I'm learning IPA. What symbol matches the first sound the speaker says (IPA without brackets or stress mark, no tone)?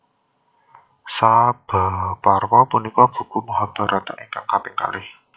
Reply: s